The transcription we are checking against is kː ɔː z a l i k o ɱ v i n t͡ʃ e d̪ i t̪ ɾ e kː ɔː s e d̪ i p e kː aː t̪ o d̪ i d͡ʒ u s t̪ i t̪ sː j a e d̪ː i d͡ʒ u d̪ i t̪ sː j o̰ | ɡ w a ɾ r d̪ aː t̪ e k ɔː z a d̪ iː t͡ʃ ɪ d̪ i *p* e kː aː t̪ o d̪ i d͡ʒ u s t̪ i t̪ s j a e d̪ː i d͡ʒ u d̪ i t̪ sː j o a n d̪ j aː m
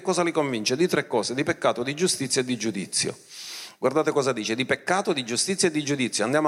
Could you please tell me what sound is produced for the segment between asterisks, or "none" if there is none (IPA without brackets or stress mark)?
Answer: p